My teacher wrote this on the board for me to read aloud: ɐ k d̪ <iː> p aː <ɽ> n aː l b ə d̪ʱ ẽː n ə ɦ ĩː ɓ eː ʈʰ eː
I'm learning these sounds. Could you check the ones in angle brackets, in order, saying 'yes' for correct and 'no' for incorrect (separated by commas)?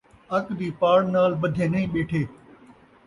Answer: yes, yes